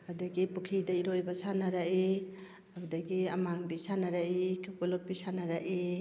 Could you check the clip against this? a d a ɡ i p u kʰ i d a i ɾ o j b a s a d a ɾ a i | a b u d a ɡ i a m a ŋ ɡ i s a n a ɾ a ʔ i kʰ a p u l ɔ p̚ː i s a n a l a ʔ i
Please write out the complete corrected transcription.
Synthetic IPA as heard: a d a ɡ i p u kʰ i d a i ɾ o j b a s a n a ɾ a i | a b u d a ɡ i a m a ŋ b i s a n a ɾ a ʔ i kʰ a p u l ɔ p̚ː i s a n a ɾ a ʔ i